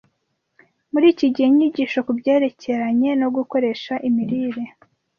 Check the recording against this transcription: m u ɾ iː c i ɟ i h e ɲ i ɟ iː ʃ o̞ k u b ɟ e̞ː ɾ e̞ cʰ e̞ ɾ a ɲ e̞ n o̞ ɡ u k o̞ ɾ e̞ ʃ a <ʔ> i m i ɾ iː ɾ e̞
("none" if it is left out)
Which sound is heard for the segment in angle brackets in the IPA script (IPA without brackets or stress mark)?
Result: ʔ